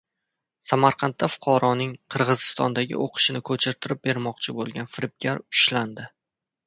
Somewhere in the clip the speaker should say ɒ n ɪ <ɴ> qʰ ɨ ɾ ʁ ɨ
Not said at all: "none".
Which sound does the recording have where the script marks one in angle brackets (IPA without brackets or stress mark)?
ŋ